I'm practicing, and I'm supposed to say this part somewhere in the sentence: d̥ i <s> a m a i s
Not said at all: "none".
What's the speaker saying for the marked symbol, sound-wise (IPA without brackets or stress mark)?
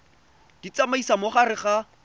t͡s